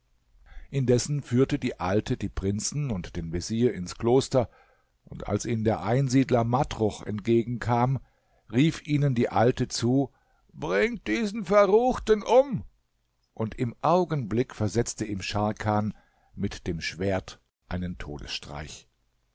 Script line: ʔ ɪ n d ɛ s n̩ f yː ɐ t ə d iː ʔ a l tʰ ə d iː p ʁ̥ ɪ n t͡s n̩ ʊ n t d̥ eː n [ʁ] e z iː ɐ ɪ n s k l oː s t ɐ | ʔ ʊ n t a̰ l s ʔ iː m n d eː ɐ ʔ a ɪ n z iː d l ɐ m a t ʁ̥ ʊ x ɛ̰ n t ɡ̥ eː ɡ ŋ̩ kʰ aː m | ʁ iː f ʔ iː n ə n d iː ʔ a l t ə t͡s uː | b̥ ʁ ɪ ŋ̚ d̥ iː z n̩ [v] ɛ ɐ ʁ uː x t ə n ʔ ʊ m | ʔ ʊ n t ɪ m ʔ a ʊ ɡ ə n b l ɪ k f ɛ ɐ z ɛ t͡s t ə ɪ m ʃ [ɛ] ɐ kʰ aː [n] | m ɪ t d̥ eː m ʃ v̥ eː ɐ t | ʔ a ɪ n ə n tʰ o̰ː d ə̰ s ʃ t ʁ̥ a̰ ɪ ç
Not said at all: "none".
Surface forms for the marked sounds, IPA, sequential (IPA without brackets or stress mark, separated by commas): v, f, a, n